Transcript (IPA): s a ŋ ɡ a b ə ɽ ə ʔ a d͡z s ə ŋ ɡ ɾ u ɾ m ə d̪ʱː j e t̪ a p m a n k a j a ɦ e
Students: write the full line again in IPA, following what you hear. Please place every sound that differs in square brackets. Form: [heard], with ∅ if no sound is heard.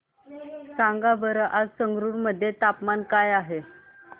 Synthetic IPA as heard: s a ŋ ɡ a b ə [ɾ] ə ʔ a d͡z s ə ŋ ɡ ɾ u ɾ m ə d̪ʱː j e t̪ a p m a n k a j a ɦ e